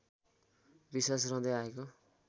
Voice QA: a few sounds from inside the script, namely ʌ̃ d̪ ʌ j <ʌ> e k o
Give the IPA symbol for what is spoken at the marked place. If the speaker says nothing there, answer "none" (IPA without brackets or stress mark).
a